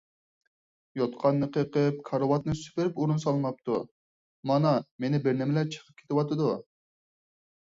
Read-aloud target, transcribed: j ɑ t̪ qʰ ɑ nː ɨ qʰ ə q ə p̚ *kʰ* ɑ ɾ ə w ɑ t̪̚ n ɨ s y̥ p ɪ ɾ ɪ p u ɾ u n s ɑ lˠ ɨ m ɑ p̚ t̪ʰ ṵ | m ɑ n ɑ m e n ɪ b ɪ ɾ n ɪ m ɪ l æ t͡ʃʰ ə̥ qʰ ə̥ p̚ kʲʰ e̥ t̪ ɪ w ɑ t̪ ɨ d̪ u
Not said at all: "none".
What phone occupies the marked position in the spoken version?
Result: kʰ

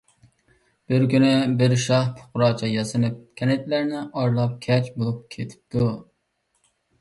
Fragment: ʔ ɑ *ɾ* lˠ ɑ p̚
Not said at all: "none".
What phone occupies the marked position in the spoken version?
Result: ɾ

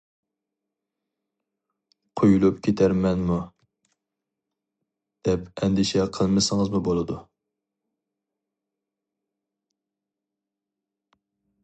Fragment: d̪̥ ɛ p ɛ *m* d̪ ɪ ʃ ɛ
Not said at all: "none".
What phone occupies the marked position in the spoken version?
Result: n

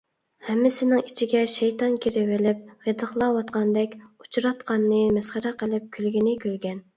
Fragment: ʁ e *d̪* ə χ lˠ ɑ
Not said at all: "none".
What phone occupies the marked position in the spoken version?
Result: d̪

